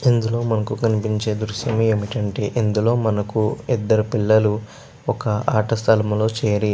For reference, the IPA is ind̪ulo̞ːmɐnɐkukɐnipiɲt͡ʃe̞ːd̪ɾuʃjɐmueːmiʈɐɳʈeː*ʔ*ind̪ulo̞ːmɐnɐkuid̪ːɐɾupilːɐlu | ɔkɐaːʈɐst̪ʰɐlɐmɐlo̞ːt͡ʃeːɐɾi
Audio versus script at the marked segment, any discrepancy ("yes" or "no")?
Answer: no